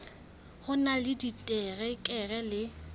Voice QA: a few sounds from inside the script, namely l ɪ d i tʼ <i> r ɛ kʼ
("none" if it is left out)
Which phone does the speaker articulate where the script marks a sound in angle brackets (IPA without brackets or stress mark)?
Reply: ɛ